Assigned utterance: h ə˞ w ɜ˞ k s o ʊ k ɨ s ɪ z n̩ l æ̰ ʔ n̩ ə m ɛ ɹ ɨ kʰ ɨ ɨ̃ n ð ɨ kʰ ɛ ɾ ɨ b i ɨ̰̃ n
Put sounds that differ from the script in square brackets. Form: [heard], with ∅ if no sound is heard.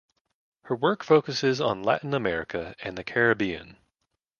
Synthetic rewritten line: h ə˞ w ɜ˞ k [f] o ʊ k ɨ s ɪ z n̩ l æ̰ ʔ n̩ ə m ɛ ɹ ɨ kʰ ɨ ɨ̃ n ð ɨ kʰ ɛ [ɹ] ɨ b i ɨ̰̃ n